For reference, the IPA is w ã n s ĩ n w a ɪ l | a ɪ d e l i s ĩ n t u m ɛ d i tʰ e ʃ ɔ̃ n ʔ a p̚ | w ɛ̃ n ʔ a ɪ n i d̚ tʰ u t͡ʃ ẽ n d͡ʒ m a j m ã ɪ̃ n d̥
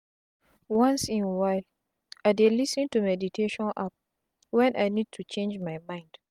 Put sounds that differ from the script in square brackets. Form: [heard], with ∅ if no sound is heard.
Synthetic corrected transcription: w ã n s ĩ n w a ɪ l | a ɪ d e l i s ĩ n t u m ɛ d i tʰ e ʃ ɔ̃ n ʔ a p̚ | w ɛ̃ n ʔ a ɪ n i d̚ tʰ u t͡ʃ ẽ n d͡ʒ m a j m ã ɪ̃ n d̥